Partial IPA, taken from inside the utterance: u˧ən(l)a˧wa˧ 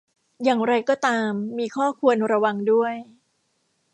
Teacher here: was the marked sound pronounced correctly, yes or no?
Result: no